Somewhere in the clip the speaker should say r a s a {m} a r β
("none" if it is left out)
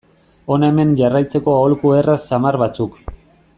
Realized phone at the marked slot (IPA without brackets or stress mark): m